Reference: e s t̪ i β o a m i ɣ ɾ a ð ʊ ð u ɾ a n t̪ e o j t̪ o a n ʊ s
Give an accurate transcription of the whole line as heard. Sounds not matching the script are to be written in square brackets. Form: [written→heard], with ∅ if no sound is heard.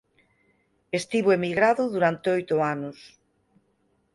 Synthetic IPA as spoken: e s t̪ i β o [a→e] m i ɣ ɾ a ð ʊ ð u ɾ a n t̪ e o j t̪ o a n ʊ s